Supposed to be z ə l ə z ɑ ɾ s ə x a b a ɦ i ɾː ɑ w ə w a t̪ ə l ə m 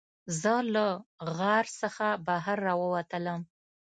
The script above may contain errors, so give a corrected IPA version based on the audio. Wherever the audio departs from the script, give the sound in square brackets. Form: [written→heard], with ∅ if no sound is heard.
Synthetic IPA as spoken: z ə l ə [z→ɣ] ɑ ɾ s ə x a b a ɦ [i→a] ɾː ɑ w ə w a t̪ ə l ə m